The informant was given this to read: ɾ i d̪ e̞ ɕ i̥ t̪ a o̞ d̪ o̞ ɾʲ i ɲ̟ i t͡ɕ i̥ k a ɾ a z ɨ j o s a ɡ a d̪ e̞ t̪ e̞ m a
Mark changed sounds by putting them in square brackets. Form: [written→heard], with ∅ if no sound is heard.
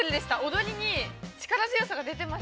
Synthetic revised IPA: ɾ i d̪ e̞ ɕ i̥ t̪ a o̞ d̪ o̞ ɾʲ i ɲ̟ i t͡ɕ i̥ k a ɾ a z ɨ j o s a ɡ a d̪ e̞ t̪ e̞ m a

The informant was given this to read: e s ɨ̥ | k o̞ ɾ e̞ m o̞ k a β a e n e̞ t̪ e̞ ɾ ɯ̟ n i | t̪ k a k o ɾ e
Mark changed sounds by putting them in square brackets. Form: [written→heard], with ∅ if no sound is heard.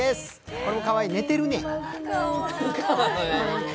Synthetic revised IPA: e s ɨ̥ | k o̞ ɾ e̞ m o̞ k a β a [e→i] n e̞ t̪ e̞ ɾ ɯ̟ n [i→e] | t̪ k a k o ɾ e

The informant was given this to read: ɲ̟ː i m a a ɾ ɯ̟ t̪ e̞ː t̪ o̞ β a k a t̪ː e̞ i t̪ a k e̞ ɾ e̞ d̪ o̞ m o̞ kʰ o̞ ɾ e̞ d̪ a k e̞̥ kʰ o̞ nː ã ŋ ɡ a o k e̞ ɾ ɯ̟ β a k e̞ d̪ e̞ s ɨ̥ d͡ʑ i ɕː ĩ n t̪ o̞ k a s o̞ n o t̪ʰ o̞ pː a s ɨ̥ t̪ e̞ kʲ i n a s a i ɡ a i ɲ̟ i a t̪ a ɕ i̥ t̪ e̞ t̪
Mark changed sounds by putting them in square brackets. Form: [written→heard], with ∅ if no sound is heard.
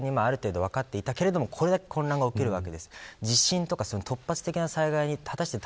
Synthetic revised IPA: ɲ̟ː i m a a ɾ ɯ̟ t̪ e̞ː [t̪→d̪] o̞ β a k a t̪ː e̞ i t̪ a k e̞ ɾ e̞ d̪ o̞ m o̞ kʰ o̞ ɾ e̞ d̪ a k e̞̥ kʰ [o̞→õ̞] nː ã ŋ ɡ a o k e̞ ɾ ɯ̟ β a k e̞ d̪ e̞ s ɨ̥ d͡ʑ i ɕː ĩ n t̪ o̞ k a s o̞ n o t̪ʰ o̞ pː a [s→t͡s] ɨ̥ t̪ e̞ kʲ i n a s a i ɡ a i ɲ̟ i a t̪ a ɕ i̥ t̪ e̞ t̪

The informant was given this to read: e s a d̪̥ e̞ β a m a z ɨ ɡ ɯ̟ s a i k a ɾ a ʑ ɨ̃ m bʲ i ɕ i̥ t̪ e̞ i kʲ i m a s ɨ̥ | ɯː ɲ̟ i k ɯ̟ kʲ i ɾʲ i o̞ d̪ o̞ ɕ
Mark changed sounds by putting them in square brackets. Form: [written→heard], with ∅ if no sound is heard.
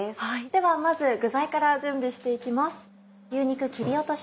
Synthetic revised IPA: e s a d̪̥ e̞ β a m a z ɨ ɡ ɯ̟ [s→z] a i k a ɾ a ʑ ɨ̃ m bʲ i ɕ i̥ t̪ e̞ i kʲ i m a s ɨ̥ | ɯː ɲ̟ i k ɯ̟ kʲ i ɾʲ i o̞ [d̪→t̪] o̞ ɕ

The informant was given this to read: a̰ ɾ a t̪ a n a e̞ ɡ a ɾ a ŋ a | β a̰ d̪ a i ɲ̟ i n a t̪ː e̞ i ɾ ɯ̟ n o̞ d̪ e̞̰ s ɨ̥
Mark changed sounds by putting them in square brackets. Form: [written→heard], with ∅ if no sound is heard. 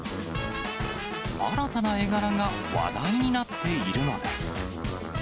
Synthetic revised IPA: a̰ ɾ a t̪ a n a e̞ ɡ a ɾ a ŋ a | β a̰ d̪ a i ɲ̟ i n a t̪ː e̞ i ɾ ɯ̟ n o̞ d̪ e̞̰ s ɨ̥

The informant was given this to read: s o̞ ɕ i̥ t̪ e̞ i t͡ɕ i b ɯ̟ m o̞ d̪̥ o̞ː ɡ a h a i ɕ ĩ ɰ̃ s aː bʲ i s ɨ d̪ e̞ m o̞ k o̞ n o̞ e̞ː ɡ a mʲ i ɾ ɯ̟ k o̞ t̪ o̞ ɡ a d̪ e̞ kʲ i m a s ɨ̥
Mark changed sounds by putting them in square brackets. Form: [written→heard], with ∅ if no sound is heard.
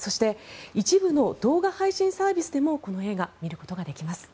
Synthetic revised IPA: s o̞ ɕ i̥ t̪ e̞ i t͡ɕ i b ɯ̟ [m→n] o̞ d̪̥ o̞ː ɡ a h a i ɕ ĩ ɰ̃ s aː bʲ i s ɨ d̪ e̞ m o̞ k o̞ n o̞ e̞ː ɡ a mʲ i ɾ ɯ̟ k o̞ t̪ o̞ ɡ a d̪ e̞ kʲ i m a s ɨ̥

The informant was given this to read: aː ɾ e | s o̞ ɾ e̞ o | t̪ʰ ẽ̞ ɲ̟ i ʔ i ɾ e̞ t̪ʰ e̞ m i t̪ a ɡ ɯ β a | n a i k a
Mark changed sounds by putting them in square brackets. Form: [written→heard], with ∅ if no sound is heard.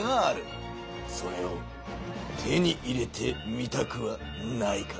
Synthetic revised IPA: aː ɾ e | s o̞ ɾ e̞ o | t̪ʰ [ẽ̞→e̞] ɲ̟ i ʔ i ɾ e̞ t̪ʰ e̞ m i t̪ a [ɡ→k] ɯ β a | n a i k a

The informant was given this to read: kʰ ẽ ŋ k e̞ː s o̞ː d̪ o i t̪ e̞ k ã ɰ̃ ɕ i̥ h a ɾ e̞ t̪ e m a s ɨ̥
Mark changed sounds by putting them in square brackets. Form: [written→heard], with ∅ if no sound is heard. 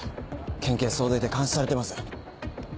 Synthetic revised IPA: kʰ ẽ ŋ k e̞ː s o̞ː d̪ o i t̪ e̞ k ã ɰ̃ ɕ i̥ [h→s] a ɾ e̞ t̪ e m a s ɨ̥

